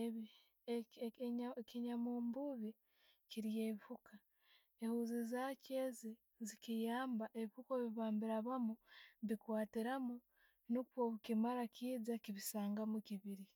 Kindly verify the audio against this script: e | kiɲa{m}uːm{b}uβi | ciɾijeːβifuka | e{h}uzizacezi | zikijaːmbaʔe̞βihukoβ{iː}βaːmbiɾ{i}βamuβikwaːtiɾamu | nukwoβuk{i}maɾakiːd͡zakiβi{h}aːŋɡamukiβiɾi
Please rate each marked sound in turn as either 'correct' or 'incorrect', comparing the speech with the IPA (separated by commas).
correct, correct, correct, incorrect, incorrect, correct, incorrect